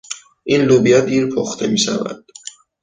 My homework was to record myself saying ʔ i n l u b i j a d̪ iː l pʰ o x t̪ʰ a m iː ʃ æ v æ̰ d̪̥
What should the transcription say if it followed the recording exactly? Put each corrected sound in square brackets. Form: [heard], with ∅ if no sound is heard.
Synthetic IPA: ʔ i n l u b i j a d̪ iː [ɾ] pʰ o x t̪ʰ [e] m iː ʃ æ v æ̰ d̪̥